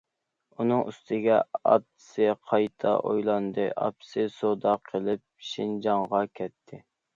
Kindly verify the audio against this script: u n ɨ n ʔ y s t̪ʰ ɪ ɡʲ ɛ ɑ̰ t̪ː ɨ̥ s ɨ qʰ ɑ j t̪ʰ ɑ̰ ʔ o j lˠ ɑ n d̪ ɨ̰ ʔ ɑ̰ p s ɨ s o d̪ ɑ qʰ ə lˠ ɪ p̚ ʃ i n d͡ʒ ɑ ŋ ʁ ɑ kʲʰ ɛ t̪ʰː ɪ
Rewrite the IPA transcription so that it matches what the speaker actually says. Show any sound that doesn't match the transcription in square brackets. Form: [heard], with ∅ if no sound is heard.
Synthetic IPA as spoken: u n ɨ [ŋ] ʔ y s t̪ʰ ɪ ɡʲ ɛ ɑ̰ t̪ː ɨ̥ s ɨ qʰ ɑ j t̪ʰ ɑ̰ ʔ o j lˠ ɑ n d̪ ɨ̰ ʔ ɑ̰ p s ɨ s o d̪ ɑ qʰ ə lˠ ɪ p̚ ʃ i n d͡ʒ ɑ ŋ ʁ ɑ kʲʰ ɛ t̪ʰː ɪ